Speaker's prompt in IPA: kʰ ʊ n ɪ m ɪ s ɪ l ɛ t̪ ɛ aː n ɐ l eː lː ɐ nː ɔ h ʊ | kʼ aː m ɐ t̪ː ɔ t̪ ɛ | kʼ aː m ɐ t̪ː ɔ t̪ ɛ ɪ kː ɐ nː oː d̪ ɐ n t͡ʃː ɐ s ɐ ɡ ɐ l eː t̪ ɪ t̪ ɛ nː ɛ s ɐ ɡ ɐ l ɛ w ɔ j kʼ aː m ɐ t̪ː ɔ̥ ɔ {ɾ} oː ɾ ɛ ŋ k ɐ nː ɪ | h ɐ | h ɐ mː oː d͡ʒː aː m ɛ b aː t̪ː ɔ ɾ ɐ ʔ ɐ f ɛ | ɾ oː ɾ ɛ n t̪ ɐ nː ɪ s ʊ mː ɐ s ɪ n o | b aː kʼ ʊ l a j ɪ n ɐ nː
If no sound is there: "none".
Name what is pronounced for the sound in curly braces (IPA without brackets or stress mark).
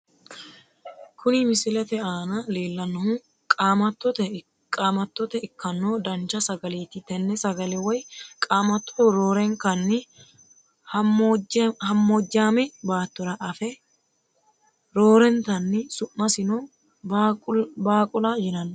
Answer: ɾ